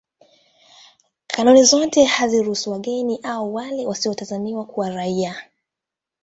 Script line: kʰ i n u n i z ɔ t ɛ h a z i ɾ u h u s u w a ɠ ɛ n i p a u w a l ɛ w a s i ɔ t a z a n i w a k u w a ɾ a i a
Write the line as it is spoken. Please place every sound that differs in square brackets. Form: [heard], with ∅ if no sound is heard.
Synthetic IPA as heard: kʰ [a] n u n i z ɔ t ɛ h a z i ɾ u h u s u w a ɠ ɛ n i [ʔ] a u w a l ɛ w a s i ɔ t a z a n i w a k u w a ɾ a i a